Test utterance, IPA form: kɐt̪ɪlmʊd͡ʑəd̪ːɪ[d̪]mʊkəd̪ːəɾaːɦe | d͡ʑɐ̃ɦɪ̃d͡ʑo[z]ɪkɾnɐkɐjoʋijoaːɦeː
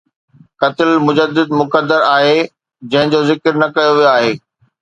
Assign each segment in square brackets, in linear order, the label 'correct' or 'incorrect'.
correct, correct

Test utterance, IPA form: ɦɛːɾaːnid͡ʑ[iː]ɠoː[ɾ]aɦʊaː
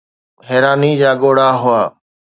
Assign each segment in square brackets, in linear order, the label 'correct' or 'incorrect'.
incorrect, incorrect

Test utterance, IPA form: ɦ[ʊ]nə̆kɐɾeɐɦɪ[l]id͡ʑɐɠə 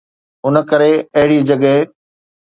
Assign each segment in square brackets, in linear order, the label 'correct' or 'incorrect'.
correct, incorrect

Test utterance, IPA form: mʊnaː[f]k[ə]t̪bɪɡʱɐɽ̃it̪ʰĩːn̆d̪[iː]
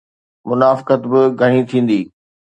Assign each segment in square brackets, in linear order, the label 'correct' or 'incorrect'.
correct, correct, correct

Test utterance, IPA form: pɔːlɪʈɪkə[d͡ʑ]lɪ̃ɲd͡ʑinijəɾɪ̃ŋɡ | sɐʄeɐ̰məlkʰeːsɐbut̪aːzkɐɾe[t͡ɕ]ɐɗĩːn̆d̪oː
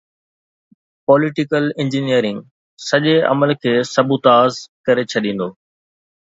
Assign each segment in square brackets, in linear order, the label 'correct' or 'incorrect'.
incorrect, incorrect

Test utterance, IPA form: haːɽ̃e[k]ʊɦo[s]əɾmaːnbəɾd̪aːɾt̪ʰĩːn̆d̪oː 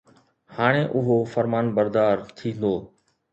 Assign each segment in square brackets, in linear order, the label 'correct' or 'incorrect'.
incorrect, incorrect

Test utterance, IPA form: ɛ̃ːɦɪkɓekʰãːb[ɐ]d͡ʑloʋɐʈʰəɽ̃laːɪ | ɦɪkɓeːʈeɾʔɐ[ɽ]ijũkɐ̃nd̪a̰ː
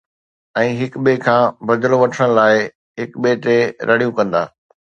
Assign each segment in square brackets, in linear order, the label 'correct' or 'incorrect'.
correct, correct

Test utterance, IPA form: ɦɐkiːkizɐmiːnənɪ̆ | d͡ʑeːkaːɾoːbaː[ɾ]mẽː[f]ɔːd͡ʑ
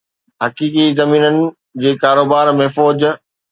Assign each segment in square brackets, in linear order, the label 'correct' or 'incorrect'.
correct, correct

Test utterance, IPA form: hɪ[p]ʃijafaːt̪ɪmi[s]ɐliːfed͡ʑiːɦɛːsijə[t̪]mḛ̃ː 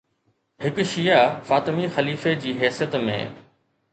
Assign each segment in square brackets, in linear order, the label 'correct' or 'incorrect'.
incorrect, incorrect, correct

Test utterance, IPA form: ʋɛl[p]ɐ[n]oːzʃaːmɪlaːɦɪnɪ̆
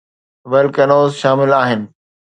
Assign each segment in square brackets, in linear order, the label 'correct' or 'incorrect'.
incorrect, correct

